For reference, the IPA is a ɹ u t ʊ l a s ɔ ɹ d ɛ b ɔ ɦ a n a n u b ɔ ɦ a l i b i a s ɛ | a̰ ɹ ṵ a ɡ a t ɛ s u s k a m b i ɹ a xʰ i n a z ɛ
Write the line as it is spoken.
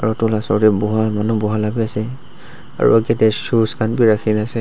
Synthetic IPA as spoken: a ɹ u t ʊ l a s ɔ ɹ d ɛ b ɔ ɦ a m a n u b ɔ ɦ a l a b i a s ɛ | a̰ ɹ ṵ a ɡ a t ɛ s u s k a n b i ɹ a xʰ i n a s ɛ